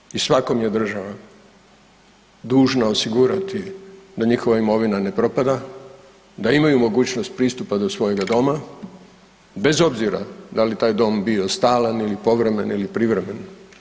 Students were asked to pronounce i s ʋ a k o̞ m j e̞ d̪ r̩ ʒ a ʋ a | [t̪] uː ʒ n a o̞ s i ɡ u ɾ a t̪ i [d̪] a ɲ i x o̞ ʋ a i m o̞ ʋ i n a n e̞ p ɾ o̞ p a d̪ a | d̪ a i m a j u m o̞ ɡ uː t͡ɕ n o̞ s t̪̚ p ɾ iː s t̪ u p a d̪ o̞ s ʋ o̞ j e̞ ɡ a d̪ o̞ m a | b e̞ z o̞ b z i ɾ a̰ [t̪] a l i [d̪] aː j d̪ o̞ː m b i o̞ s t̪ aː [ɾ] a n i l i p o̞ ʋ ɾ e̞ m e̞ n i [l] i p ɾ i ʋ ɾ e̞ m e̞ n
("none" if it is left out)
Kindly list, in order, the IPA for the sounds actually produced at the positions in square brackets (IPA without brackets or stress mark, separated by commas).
d̪, d̪, d̪, t̪, l, l